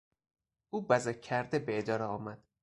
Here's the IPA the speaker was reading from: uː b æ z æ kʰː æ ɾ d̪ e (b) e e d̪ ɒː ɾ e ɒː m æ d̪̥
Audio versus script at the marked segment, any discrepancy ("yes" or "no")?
no